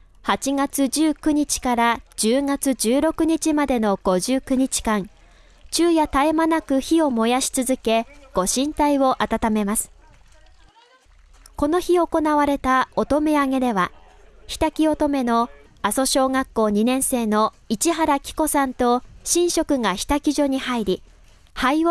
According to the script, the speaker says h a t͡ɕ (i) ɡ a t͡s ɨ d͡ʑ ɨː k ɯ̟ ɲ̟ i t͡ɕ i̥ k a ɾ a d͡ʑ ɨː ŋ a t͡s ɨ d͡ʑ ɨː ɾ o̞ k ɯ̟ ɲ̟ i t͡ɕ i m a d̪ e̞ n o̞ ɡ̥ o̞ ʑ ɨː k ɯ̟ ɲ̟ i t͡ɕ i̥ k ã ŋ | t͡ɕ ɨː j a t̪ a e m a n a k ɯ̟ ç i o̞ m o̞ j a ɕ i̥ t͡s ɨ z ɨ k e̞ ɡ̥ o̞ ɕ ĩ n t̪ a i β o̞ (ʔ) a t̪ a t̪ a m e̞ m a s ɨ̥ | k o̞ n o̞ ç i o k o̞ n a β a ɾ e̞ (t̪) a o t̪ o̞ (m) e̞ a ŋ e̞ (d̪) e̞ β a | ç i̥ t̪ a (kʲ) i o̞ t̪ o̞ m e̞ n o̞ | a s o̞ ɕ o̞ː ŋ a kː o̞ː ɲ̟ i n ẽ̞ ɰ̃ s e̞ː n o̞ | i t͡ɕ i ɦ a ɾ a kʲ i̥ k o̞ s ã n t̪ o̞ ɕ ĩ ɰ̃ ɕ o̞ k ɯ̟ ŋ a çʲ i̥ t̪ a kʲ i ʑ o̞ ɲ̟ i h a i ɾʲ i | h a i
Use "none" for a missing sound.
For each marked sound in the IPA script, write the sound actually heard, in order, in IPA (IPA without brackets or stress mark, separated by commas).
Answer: i, ʔ, t̪, m, d̪, kʲ